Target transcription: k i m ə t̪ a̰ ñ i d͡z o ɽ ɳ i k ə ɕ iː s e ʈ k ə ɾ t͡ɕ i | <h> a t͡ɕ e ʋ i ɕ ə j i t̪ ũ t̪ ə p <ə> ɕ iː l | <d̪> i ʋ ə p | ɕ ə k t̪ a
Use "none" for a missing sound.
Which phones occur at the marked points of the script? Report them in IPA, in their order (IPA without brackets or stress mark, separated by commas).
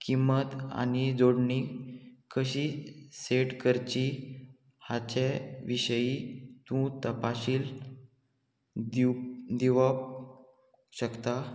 h, a, d̪